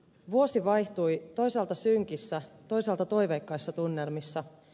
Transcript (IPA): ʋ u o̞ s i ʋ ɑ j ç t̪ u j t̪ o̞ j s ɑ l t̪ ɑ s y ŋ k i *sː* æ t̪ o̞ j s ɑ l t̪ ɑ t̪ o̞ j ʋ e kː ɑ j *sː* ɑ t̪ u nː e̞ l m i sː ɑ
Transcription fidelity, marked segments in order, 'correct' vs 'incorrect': correct, correct

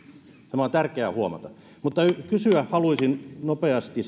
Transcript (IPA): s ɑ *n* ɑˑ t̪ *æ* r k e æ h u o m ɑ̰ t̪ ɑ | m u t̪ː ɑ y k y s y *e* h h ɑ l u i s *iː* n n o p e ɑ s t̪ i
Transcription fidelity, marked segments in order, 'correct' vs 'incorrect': incorrect: m, correct, incorrect: æ, incorrect: i

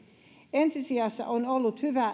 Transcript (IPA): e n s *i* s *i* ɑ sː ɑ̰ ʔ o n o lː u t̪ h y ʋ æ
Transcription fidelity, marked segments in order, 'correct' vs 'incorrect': correct, correct

